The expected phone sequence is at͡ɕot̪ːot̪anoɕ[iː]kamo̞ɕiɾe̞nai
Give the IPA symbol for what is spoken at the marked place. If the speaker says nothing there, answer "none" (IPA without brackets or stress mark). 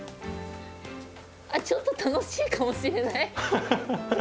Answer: iː